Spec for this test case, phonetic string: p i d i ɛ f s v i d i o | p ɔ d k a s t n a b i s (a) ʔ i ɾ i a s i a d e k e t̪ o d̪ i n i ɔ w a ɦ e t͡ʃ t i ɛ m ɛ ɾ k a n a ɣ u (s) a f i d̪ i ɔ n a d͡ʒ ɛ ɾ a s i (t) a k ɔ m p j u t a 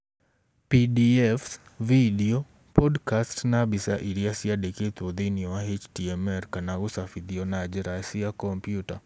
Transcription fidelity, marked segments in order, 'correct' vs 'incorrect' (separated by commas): correct, correct, incorrect